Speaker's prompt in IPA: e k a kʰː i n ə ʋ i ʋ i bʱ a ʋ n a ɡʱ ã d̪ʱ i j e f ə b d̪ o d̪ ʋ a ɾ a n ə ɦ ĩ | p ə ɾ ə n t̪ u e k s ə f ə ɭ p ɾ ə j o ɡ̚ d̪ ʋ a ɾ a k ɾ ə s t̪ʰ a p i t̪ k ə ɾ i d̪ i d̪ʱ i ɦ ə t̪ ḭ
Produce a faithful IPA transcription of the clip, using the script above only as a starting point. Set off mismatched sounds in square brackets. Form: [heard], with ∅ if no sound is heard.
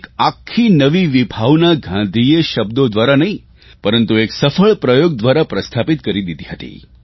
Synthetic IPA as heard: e k a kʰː i n ə ʋ i ʋ i bʱ a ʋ n a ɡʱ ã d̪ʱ i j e [ʃ] ə b d̪ o d̪ ʋ a ɾ a n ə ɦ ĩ | p ə ɾ ə n t̪ u e k s ə f ə ɭ p ɾ ə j o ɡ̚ d̪ ʋ a ɾ a [p] ɾ ə s t̪ʰ a p i t̪ k ə ɾ i d̪ i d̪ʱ i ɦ ə t̪ ḭ